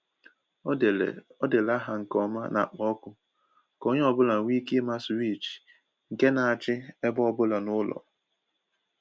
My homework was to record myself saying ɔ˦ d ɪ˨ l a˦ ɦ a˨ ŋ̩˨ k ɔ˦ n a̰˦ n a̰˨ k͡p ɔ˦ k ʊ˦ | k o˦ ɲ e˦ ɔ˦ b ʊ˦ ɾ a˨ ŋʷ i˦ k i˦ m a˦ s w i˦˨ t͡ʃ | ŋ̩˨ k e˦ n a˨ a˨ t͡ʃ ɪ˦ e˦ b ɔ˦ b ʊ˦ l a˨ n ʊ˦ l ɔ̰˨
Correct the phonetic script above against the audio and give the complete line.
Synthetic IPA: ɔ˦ d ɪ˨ l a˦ ɦ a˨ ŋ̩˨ k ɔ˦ m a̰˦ n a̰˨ k͡p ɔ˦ k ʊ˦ | k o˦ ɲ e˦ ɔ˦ b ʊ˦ l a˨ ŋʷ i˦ k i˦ m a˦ s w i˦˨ t͡ʃ | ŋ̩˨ k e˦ n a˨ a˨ t͡ʃ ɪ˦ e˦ b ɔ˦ b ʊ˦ l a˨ n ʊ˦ l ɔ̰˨